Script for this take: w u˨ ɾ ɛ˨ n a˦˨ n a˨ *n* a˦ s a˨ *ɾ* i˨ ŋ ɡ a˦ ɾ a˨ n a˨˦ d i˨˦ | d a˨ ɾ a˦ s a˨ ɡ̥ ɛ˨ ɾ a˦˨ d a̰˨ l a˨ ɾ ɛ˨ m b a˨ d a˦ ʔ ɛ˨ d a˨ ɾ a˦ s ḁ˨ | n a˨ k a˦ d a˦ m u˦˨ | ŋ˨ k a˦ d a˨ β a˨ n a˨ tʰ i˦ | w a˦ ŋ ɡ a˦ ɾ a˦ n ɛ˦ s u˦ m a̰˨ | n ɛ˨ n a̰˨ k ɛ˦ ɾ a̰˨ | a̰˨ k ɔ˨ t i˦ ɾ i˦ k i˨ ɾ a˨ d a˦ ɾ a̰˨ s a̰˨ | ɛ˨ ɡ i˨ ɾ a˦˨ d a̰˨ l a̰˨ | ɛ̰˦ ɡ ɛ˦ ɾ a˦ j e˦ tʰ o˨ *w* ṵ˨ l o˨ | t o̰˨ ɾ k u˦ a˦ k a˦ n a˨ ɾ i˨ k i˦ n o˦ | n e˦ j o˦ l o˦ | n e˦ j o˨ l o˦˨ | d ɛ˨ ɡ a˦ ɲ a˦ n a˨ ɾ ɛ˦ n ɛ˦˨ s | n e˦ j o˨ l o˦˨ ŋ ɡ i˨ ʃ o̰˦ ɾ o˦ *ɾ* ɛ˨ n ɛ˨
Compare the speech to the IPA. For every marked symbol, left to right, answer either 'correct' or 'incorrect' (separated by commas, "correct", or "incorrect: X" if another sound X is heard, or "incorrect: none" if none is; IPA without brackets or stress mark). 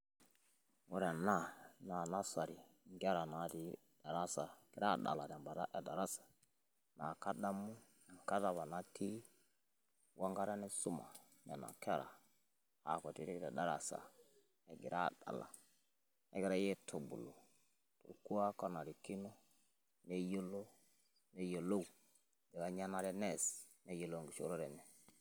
correct, correct, incorrect: b, correct